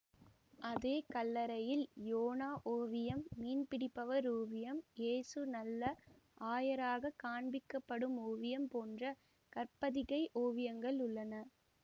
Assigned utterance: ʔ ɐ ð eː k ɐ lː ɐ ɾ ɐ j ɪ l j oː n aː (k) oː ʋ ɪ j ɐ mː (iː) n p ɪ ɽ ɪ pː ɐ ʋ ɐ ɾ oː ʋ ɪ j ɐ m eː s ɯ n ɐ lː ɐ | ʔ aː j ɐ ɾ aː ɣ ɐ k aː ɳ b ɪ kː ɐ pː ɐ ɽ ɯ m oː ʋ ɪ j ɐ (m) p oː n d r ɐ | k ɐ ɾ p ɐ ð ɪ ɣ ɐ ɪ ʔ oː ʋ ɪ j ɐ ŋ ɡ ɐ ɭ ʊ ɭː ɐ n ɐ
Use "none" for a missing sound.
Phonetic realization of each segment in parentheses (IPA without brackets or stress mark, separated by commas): ʔ, iː, m